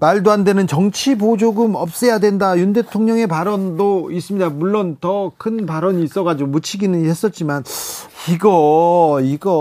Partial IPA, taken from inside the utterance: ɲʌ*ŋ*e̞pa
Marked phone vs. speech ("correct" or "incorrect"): correct